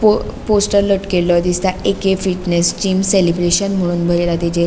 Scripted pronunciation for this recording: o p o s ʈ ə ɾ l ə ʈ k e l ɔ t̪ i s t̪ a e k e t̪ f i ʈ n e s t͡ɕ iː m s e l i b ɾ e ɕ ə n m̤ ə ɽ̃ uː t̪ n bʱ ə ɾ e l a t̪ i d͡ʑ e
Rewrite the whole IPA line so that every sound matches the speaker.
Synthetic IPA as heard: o p o s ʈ ə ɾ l ə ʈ k e l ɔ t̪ i s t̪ a e k e f i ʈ n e s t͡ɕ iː m s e l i b ɾ e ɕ ə n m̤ ə ɽ̃ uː n bʱ ə ɾ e l a t̪ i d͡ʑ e